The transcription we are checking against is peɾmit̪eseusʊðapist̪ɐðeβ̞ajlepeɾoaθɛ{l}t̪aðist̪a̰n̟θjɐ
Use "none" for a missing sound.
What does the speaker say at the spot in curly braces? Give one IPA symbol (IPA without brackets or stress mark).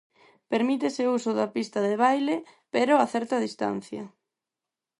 ɾ